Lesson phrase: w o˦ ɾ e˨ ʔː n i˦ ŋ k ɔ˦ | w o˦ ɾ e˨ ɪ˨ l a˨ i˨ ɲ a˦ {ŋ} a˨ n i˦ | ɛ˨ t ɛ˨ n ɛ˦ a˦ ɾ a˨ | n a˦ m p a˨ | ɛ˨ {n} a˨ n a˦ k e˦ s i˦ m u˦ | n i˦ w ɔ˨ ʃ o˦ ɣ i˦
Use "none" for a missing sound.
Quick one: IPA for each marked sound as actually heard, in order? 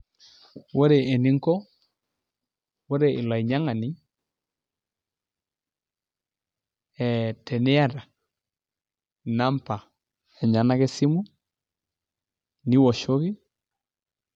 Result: ŋ, ɲ

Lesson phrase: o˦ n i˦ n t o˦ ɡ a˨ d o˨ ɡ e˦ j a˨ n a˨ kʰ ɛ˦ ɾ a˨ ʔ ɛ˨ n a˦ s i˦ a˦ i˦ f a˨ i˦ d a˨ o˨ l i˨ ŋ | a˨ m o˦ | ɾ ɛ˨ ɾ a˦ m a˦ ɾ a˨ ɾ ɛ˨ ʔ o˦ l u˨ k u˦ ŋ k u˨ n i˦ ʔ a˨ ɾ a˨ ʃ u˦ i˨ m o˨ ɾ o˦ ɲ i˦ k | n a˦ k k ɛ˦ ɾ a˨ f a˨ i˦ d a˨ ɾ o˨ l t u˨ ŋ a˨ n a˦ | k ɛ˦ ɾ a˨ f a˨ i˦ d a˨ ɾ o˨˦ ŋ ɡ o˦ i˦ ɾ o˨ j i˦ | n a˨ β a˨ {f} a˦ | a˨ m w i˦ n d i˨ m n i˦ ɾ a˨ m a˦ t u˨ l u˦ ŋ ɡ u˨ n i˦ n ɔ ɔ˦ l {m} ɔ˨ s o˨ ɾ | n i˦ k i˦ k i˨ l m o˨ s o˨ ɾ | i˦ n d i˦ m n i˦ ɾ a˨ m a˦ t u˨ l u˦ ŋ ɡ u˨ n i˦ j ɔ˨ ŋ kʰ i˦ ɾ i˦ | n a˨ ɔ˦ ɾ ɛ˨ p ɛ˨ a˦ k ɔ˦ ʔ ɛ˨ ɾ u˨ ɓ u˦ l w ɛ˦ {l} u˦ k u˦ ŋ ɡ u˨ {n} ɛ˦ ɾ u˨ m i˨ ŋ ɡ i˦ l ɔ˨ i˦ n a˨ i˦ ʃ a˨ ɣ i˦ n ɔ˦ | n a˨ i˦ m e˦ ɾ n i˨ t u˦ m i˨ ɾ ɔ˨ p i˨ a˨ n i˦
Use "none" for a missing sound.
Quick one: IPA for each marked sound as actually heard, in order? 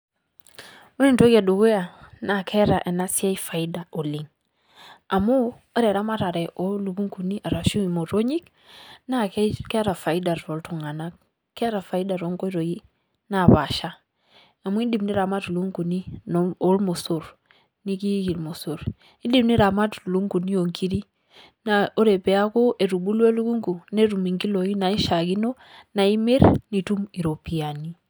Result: ʃ, m, l, n

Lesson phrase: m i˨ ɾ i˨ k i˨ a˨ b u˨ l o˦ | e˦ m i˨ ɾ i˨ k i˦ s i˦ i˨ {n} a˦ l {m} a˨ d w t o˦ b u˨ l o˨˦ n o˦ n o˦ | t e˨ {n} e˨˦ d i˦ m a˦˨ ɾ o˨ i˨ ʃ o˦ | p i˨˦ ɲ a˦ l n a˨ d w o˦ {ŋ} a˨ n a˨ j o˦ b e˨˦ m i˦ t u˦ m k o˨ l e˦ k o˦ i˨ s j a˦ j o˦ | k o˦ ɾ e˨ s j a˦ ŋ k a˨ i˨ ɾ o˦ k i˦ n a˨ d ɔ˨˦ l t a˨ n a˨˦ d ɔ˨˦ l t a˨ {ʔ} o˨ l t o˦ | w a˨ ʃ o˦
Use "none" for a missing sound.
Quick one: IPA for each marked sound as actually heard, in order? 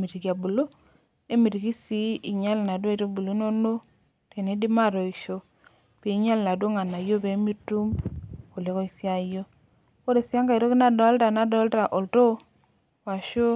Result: ɲ, n, n, ŋ, ʔ

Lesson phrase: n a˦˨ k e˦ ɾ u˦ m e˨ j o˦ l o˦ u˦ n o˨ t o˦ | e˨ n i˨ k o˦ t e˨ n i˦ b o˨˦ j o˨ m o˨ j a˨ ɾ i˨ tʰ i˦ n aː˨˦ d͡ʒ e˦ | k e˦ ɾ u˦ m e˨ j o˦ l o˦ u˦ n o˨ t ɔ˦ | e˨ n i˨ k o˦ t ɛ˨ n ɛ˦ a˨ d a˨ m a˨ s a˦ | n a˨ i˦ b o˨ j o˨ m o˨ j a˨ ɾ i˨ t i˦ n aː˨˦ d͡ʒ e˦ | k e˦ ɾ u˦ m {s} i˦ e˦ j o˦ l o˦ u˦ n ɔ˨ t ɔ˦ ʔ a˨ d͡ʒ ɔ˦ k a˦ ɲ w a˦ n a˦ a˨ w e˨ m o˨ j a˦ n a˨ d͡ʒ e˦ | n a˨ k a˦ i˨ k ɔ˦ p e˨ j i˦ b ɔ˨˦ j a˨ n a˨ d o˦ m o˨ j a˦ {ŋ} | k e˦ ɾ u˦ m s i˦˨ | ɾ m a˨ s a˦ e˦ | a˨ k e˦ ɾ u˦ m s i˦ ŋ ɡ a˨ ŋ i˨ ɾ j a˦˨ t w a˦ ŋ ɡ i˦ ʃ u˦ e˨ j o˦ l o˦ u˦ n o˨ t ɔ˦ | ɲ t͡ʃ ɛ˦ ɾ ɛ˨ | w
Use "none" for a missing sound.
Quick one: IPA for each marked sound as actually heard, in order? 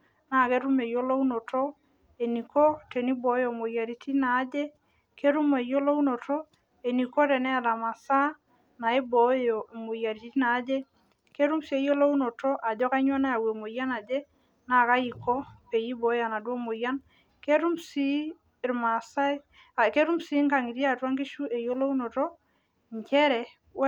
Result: s, n

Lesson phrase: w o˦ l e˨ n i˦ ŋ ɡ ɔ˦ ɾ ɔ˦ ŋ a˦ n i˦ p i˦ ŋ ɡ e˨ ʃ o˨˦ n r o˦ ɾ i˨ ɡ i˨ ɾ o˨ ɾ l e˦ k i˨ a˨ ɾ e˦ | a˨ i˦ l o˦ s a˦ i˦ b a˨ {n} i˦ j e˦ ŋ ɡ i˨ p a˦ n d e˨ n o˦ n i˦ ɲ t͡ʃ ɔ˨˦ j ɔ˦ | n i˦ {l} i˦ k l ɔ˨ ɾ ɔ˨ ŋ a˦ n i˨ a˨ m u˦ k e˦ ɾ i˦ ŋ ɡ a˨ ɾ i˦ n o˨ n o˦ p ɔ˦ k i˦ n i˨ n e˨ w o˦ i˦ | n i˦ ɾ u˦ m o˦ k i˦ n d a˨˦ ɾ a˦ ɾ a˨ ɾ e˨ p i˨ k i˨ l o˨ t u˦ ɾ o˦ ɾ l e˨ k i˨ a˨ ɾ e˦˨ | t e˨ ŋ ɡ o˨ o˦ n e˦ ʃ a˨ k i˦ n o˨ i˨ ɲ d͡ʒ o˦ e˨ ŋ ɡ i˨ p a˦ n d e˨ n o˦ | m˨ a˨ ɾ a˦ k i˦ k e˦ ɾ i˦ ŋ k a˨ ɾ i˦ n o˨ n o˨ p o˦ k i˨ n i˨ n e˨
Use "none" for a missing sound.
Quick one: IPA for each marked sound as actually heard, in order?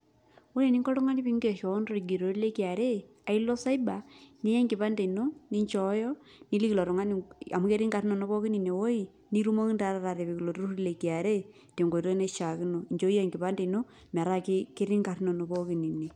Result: n, l

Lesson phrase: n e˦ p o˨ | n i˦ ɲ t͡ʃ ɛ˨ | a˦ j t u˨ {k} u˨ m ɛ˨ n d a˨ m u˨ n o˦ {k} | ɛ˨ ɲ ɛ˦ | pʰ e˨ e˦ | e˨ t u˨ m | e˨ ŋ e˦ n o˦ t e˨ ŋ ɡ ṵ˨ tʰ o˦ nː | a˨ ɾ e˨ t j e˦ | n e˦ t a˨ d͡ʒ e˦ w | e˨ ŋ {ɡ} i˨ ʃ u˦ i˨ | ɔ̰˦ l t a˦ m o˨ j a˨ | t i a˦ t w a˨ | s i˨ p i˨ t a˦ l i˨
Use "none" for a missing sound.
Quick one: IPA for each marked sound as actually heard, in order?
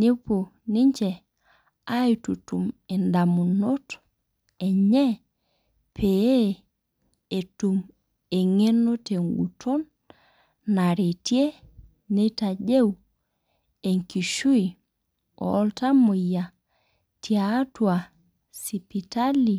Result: t, t, k

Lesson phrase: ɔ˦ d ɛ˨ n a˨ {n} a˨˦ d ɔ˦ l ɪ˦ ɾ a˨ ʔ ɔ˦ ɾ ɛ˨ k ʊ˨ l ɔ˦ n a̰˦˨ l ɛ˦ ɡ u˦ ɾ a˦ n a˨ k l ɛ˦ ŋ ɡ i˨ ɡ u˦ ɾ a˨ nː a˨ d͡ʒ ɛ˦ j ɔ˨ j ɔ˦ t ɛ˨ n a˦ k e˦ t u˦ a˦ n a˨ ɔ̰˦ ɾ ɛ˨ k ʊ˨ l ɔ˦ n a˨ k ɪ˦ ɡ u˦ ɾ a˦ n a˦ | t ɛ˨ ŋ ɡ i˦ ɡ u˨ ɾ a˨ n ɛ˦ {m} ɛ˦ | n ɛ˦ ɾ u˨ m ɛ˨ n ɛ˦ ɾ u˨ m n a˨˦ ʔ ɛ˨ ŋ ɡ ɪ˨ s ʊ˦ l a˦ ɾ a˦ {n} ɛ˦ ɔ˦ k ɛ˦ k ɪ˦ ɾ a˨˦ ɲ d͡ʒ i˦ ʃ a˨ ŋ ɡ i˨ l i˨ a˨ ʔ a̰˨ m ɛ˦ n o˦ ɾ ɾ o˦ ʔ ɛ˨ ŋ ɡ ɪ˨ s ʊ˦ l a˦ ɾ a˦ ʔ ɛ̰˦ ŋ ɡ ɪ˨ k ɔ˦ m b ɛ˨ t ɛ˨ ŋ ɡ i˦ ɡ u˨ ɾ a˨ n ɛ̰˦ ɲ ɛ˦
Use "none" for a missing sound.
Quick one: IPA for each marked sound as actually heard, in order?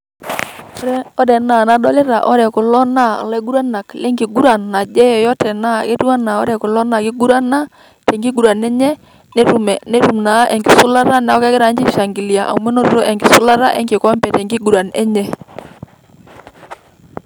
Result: n, ɲ, n

